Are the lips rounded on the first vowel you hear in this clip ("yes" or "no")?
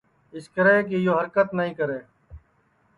no